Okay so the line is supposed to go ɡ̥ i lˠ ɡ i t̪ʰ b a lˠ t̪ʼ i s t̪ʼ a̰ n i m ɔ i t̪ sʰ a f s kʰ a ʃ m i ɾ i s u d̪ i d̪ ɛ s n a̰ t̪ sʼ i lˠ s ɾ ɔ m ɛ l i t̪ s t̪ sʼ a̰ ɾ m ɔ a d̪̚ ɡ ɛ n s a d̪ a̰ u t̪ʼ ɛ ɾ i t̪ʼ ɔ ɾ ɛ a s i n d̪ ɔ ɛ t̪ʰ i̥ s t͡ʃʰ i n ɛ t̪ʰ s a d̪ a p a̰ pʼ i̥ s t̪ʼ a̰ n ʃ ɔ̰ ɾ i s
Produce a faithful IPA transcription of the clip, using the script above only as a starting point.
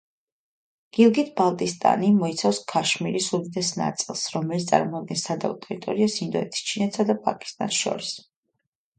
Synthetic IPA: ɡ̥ i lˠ ɡ i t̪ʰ b a lˠ t̪ʼ i s t̪ʼ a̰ n i m ɔ i t̪ sʰ a f s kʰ a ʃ m i ɾ i s u d̪ i d̪ ɛ s n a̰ t̪ sʼ i lˠ s ɾ ɔ m ɛ l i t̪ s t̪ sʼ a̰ ɾ m ɔ a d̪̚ ɡ ɛ n s a d̪ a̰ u t̪ʼ ɛ ɾ i t̪ʼ ɔ ɾ i a s i n d̪ ɔ ɛ t̪ʰ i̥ s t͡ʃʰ i n ɛ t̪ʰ s a d̪ a pʼ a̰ kʼ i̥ s t̪ʼ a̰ n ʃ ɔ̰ ɾ i s